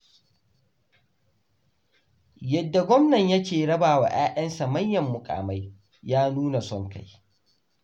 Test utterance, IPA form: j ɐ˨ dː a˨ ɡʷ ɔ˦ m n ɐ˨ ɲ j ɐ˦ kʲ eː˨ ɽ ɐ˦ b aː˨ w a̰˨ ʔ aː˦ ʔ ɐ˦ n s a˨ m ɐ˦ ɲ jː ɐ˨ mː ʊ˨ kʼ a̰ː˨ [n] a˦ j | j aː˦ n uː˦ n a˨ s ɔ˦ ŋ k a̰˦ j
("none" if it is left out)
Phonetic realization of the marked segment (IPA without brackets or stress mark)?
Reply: m